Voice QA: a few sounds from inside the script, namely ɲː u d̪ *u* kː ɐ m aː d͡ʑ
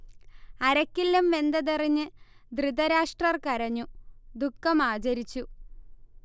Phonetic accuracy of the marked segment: correct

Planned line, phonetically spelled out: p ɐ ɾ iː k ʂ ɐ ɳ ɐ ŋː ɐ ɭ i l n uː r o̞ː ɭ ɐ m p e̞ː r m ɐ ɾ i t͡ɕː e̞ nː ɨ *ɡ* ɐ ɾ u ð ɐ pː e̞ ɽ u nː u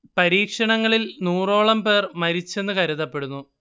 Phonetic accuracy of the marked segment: incorrect: k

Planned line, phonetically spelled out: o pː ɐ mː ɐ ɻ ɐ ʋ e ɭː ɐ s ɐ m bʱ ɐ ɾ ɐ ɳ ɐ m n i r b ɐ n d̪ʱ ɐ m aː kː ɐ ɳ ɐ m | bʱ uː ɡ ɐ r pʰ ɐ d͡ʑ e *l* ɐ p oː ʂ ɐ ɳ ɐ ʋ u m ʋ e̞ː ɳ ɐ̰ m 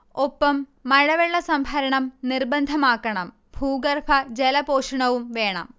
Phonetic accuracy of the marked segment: correct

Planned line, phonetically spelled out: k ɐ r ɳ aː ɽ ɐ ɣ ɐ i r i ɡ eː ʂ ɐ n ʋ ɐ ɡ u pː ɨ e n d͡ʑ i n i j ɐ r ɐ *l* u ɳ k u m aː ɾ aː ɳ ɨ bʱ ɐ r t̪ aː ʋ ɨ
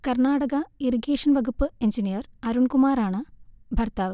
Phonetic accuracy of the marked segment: incorrect: ɾ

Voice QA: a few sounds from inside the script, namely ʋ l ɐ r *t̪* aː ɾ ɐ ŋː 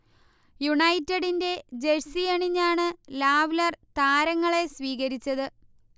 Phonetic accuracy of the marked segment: correct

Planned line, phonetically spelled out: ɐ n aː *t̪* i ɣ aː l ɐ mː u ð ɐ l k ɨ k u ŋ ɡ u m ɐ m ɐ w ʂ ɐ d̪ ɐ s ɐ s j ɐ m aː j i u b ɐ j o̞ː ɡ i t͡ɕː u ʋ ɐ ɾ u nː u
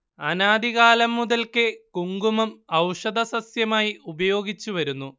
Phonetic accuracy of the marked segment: incorrect: d̪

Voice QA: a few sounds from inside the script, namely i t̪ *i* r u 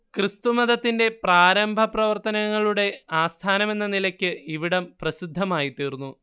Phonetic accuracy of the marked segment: incorrect: iː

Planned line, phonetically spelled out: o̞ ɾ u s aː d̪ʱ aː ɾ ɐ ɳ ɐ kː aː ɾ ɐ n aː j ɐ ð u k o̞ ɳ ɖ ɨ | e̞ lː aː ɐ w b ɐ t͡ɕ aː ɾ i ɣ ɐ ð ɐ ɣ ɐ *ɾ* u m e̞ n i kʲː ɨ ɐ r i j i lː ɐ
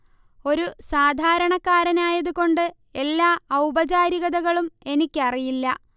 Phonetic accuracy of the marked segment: incorrect: ɭ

